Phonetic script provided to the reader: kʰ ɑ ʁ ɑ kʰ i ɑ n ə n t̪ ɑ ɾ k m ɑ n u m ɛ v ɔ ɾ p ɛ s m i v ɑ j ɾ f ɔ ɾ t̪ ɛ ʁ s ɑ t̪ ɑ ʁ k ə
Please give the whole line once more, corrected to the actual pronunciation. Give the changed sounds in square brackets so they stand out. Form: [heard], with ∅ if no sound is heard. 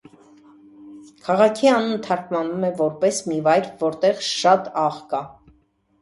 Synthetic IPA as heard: kʰ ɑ ʁ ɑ kʰ i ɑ n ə n [t̪ʰ] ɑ ɾ k m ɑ n u m ɛ v ɔ ɾ p ɛ s m i v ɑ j ɾ [v] ɔ ɾ t̪ ɛ ʁ [ʃ] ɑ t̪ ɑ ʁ k [ɑ]